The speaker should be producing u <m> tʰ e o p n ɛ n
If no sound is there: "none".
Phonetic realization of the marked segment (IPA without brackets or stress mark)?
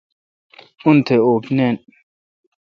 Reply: n